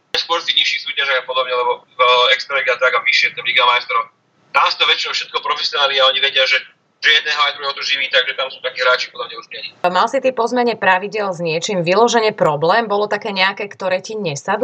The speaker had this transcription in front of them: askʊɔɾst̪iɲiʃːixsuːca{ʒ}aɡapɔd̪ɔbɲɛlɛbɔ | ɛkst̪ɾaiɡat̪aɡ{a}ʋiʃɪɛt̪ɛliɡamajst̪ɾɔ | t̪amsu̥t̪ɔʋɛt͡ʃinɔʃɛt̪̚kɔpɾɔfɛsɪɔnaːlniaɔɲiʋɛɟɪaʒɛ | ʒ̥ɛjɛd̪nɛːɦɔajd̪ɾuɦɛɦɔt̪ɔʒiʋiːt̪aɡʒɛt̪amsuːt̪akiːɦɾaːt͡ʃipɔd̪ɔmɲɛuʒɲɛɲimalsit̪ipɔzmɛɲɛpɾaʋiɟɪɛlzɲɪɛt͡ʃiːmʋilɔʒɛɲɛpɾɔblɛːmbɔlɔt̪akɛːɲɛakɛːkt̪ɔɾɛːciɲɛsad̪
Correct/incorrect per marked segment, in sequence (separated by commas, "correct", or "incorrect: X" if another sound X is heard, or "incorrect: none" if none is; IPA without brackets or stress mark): correct, correct